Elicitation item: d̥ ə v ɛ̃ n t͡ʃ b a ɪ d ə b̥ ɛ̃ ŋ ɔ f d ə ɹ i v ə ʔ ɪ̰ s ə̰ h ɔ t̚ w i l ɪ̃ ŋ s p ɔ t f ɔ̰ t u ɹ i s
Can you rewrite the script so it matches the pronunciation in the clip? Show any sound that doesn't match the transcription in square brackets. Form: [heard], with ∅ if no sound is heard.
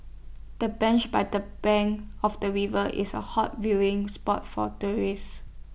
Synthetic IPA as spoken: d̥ ə [b] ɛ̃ n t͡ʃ b a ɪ d ə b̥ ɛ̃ ŋ ɔ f d ə ɹ i v ə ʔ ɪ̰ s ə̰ h ɔ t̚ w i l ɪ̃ ŋ s p ɔ t f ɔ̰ t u ɹ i s